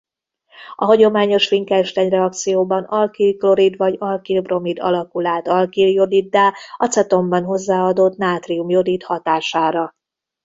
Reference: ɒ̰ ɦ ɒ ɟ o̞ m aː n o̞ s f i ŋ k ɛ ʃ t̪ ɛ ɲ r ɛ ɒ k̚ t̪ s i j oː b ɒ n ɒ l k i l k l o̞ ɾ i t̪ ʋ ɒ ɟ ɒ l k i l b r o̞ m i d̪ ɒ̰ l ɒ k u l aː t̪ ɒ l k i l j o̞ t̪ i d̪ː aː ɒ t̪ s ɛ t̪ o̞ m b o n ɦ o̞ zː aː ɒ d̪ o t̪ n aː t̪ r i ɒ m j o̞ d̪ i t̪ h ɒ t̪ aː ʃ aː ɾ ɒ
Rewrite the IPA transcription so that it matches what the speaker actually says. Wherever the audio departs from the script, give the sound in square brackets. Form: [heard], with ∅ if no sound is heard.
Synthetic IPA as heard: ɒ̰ ɦ ɒ ɟ o̞ m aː [ɲ] o̞ [ʃ] f i ŋ k ɛ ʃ t̪ ɛ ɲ r ɛ ɒ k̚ t̪ s i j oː b ɒ n ɒ l k i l k l o̞ ɾ i [d̪] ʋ ɒ ɟ ɒ l k i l b r o̞ m i d̪ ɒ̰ l ɒ k u l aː t̪ ɒ l k i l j o̞ [d̪] i d̪ː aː ɒ t̪ s ɛ t̪ o̞ m b [ɒ] n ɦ o̞ zː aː ɒ d̪ o t̪ n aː t̪ r i [u] m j o̞ d̪ i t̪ h ɒ t̪ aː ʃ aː ɾ ɒ

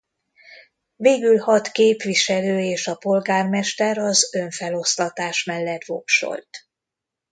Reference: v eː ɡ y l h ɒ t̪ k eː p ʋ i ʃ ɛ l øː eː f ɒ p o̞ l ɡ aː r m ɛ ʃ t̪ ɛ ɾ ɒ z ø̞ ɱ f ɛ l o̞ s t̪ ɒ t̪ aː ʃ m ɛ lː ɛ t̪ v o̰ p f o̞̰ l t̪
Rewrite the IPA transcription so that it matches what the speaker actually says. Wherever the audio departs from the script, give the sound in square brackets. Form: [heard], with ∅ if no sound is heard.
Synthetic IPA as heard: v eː ɡ y l h ɒ t̪ k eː p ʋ i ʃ ɛ l øː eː [ʃ] ɒ p o̞ l ɡ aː r m ɛ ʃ t̪ ɛ ɾ ɒ z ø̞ ɱ f ɛ l o̞ s t̪ ɒ t̪ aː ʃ m ɛ lː ɛ t̪ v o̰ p [ʃ] o̞̰ l t̪

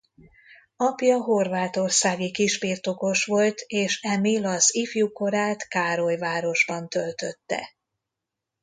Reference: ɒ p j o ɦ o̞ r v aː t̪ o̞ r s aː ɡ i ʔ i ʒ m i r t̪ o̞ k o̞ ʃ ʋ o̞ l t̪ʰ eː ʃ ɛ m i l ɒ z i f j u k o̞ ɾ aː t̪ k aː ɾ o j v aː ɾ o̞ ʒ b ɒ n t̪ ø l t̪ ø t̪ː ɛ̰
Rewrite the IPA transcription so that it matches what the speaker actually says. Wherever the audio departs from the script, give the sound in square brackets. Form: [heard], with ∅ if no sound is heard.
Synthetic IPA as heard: ɒ p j [ɒ] ɦ o̞ r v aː t̪ o̞ r s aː ɡ i [k] i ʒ [b] i r t̪ o̞ k o̞ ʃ ʋ o̞ l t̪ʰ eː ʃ ɛ m i l ɒ z i f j u k o̞ ɾ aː t̪ k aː ɾ o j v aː ɾ o̞ ʒ b ɒ n t̪ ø l t̪ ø t̪ː ɛ̰

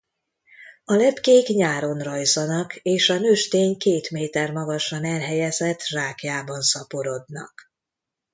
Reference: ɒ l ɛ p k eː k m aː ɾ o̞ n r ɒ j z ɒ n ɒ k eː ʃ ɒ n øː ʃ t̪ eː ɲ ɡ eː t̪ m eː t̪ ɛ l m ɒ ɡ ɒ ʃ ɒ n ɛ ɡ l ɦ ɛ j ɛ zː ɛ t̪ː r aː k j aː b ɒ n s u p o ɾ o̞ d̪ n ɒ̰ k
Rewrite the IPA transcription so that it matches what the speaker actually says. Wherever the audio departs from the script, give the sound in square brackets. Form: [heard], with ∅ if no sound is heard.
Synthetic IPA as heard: ɒ l ɛ p k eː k [ɲ] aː ɾ o̞ n r ɒ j z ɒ n ɒ k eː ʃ ɒ n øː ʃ t̪ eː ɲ [k] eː t̪ m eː t̪ ɛ [r] m ɒ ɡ ɒ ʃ ɒ n ɛ [∅] l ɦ ɛ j ɛ [z] ɛ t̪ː r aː k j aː b ɒ n s [ɒ] p o ɾ o̞ d̪ n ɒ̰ k

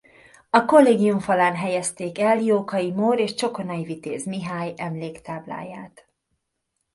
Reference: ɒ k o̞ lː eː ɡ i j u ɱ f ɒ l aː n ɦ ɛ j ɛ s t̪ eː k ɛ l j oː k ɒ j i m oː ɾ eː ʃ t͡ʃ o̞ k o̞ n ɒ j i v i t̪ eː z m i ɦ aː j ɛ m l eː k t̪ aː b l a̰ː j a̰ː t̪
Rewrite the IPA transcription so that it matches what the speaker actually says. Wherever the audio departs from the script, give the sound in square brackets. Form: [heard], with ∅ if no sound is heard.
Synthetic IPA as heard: ɒ k o̞ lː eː ɡ i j u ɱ f ɒ l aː n ɦ ɛ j ɛ s t̪ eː k ɛ l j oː k ɒ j i m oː ɾ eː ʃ t͡ʃ o̞ k o̞ n ɒ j i v i t̪ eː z m i ɦ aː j ɛ m l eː k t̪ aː b l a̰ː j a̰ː t̪

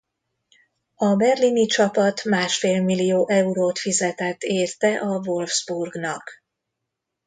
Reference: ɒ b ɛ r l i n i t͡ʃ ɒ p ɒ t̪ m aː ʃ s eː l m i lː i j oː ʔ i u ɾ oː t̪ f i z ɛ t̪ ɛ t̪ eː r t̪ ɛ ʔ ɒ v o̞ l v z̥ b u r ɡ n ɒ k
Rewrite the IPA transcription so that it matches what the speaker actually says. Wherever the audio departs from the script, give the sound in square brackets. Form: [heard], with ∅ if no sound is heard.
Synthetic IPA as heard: ɒ b ɛ r l i n i t͡ʃ ɒ p ɒ t̪ m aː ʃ [f] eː l m i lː i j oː ʔ [ɛ] u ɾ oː t̪ f i z ɛ t̪ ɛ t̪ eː r t̪ ɛ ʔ ɒ v o̞ l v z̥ b u r ɡ n ɒ k

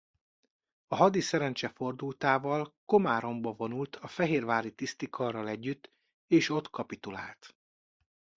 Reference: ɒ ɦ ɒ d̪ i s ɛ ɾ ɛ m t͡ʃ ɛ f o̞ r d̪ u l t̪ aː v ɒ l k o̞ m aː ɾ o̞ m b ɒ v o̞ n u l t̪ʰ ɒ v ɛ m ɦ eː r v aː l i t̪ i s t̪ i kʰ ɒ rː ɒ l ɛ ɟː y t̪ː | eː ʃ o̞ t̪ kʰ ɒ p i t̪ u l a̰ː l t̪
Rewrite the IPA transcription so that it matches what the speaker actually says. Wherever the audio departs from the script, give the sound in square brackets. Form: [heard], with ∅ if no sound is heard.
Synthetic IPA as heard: ɒ ɦ ɒ d̪ i s ɛ ɾ ɛ [n] t͡ʃ ɛ f o̞ r d̪ u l t̪ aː v ɒ l k o̞ m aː ɾ o̞ m b ɒ v o̞ n u l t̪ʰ ɒ [f] ɛ [∅] ɦ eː r v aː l i t̪ i s t̪ i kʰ ɒ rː ɒ l ɛ ɟː y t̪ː | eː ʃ o̞ t̪ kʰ ɒ p i t̪ u l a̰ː l t̪

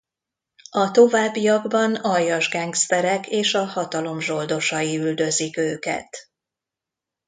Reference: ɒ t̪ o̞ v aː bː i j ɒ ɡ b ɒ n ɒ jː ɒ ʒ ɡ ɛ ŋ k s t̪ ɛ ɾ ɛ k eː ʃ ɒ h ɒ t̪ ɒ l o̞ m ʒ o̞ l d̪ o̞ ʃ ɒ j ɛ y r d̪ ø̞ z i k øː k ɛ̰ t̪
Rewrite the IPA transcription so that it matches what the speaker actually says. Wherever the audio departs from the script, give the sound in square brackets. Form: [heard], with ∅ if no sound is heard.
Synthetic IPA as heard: ɒ t̪ o̞ v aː bː i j ɒ ɡ b ɒ n ɒ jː ɒ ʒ ɡ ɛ ŋ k s t̪ ɛ ɾ ɛ k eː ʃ ɒ h ɒ t̪ ɒ l o̞ m ʒ o̞ l d̪ o̞ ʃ ɒ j [i] y [l] d̪ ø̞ z i k øː k ɛ̰ t̪

